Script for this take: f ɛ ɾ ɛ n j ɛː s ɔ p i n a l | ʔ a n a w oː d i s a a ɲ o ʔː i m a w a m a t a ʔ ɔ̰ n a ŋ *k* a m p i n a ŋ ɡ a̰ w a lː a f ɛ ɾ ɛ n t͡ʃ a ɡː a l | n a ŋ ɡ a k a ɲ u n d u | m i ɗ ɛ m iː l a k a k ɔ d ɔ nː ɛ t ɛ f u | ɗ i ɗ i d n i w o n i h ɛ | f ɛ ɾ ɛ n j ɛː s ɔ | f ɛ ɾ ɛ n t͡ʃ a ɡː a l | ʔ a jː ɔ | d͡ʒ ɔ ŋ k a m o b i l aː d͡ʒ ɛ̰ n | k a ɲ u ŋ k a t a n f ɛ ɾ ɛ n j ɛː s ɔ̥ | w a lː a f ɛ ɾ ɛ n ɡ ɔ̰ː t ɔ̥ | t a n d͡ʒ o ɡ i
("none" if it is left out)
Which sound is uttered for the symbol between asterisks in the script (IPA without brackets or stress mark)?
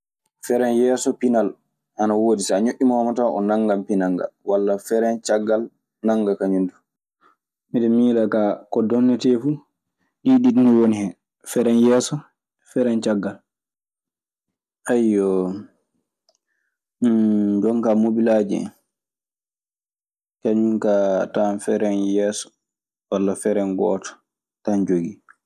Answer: ɡ